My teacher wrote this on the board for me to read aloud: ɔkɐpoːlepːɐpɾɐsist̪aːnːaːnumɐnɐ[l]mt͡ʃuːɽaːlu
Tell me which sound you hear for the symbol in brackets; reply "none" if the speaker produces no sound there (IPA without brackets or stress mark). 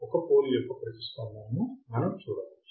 none